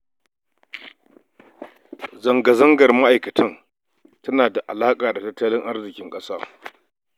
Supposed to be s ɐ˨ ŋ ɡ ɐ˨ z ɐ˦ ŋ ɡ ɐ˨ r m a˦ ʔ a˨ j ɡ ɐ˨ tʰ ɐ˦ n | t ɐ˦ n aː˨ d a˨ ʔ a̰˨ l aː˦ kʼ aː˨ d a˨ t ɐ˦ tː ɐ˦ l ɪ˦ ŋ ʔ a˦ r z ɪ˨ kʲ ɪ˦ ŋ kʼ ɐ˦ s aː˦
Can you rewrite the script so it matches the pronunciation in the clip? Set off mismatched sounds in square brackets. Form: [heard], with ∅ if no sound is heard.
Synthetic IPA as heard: [z] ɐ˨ ŋ ɡ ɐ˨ z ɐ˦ ŋ ɡ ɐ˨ r m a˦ ʔ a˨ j [k] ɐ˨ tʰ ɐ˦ n | t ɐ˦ n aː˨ d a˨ ʔ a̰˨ l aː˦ kʼ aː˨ d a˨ t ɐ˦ tː ɐ˦ l ɪ˦ ŋ ʔ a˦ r z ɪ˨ kʲ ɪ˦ ŋ kʼ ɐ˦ s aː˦